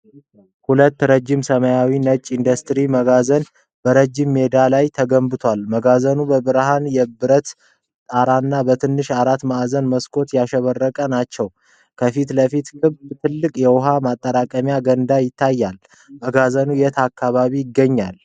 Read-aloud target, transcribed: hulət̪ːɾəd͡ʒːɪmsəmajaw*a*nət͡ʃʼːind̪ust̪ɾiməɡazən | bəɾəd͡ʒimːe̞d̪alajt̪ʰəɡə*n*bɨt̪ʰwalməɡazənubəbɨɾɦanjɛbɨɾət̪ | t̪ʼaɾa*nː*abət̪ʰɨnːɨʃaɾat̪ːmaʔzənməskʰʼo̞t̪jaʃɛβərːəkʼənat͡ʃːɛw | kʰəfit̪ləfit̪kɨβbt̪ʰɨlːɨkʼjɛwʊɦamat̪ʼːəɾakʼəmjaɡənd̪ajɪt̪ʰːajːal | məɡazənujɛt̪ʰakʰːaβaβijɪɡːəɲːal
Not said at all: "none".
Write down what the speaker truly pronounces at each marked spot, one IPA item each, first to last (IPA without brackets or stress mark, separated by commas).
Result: i, m, nː